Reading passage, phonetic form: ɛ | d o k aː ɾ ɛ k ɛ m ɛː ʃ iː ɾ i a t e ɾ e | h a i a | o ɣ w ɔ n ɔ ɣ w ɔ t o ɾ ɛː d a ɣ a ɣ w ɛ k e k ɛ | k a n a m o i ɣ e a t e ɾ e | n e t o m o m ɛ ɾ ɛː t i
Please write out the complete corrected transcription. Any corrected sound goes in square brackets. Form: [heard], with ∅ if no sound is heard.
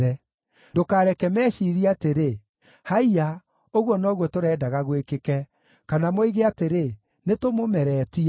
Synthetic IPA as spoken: ɛ | d o k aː ɾ ɛ k ɛ m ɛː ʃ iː ɾ i a t e ɾ e | h a i a | o ɣ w ɔ n ɔ ɣ w ɔ t o ɾ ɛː d a ɣ a ɣ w [e] k e k ɛ | k a n a m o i ɣ e a t e ɾ e | n e t o m o m ɛ ɾ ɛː t i